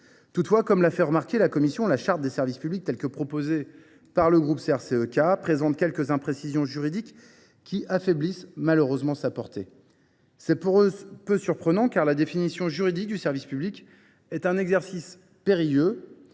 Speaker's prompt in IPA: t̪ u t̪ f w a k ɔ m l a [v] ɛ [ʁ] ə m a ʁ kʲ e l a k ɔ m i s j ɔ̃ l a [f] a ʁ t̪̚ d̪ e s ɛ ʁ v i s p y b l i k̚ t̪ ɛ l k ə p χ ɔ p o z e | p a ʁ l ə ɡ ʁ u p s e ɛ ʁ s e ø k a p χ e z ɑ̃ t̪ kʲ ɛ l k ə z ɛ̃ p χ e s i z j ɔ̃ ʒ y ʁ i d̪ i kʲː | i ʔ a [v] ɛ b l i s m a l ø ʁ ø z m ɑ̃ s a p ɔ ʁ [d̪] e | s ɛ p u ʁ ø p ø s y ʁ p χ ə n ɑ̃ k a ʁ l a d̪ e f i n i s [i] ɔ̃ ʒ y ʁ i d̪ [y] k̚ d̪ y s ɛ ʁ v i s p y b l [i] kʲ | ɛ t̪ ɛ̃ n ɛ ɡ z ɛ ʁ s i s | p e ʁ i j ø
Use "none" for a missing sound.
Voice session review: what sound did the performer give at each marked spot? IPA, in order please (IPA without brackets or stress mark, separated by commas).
f, ʁ, ʃ, f, t̪, j, i, i